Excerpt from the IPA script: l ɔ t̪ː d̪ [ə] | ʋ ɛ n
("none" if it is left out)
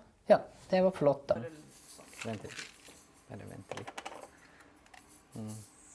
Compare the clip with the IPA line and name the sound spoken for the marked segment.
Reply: ɑ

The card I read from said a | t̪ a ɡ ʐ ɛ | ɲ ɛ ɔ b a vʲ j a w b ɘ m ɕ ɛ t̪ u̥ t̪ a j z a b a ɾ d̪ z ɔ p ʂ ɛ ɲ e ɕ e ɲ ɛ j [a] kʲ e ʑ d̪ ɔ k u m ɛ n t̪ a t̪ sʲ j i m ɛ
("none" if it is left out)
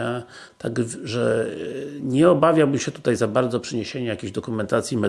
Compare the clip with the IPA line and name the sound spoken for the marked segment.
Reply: a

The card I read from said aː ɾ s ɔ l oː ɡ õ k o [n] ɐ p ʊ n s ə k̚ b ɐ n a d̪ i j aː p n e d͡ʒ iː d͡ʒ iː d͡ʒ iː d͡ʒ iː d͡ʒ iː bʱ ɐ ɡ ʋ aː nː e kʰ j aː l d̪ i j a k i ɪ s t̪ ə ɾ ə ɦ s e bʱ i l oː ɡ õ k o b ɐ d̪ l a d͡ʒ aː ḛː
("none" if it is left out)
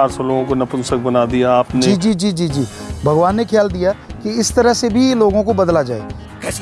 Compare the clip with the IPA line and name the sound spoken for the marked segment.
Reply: n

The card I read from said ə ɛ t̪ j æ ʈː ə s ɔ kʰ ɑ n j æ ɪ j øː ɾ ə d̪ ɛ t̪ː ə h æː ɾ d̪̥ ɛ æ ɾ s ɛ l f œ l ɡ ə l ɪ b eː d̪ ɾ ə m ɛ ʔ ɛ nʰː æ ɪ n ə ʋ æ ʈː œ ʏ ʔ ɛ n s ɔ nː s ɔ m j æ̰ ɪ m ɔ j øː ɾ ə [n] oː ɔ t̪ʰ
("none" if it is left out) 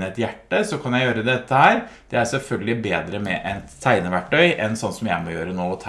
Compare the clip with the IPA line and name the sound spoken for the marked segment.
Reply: n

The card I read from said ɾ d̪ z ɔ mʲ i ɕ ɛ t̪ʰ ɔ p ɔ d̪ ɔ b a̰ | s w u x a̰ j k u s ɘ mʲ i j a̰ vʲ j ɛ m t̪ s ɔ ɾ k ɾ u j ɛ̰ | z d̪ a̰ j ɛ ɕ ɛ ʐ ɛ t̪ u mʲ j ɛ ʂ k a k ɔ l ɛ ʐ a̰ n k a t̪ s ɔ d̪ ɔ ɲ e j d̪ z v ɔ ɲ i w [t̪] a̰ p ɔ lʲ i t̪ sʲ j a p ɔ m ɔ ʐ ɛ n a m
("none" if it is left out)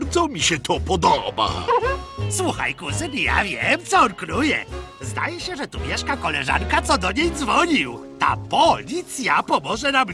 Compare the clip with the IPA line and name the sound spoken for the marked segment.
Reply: t̪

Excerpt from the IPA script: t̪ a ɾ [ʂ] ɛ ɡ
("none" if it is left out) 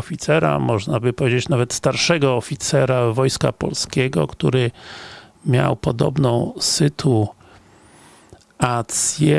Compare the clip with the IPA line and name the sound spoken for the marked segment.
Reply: ʂ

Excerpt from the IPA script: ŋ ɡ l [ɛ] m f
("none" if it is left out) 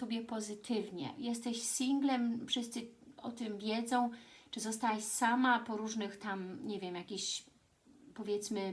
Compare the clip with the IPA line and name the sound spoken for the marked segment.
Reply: ɛ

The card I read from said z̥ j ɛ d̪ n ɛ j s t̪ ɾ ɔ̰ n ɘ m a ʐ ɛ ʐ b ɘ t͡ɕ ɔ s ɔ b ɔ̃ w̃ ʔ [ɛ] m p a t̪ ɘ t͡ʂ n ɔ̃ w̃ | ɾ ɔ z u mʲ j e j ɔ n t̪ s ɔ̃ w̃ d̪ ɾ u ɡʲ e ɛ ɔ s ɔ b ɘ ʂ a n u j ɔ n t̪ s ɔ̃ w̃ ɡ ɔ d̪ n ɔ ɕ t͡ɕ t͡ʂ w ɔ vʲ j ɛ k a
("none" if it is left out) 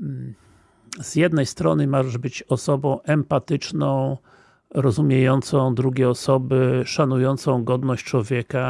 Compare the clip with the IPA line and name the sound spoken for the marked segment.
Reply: ɛ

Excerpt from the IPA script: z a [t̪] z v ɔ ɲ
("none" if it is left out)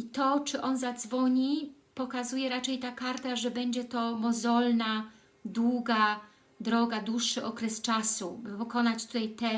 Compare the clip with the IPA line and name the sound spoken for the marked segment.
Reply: d̪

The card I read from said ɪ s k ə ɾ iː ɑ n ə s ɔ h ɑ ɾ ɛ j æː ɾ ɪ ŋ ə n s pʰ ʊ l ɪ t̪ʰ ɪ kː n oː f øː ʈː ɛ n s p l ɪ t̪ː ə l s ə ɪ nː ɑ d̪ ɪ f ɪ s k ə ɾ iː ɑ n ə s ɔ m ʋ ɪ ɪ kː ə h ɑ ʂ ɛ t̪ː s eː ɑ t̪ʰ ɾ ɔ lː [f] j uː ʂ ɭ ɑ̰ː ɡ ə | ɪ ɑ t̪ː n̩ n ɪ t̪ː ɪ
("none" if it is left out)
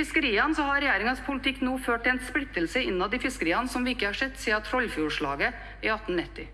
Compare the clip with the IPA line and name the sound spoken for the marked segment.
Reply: f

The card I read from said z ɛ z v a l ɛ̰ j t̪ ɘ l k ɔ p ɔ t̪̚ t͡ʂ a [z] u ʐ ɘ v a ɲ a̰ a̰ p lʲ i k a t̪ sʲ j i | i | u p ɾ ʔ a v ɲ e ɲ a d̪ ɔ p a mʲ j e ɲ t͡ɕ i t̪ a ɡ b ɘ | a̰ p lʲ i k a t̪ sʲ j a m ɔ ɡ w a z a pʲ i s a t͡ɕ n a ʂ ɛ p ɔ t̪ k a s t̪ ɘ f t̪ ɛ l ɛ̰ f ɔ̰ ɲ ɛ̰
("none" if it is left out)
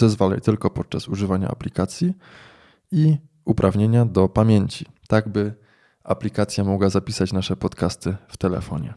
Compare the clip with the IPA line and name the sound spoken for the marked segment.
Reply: s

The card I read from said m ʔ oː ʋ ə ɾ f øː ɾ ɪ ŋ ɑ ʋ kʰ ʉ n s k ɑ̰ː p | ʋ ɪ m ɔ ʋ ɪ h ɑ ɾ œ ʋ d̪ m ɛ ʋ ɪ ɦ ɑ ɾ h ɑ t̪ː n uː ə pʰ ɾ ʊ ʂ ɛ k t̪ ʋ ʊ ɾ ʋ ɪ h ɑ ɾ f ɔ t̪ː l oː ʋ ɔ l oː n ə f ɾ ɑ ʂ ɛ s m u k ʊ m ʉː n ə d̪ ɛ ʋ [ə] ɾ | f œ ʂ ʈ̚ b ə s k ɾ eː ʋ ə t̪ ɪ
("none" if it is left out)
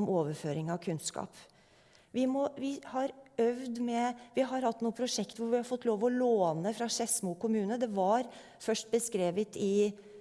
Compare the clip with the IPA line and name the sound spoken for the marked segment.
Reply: ɑ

